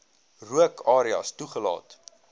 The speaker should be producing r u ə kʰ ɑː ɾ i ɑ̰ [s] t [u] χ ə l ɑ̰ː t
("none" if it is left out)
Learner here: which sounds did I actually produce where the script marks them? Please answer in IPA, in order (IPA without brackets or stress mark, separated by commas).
s, u